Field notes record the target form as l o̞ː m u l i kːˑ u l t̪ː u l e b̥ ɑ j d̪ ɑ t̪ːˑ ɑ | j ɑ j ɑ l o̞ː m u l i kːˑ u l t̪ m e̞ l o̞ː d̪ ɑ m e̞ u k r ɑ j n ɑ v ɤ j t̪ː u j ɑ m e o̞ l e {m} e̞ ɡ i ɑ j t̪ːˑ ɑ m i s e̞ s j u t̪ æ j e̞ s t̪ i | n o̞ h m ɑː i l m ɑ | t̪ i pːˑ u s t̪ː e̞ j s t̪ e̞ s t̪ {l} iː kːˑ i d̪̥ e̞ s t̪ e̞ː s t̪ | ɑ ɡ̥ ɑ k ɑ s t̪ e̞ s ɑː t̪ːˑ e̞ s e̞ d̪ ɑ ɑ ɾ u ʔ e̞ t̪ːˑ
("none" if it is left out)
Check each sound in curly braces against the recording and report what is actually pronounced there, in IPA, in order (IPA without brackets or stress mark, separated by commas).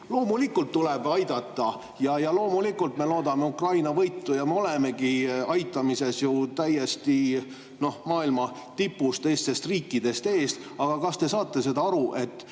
m, r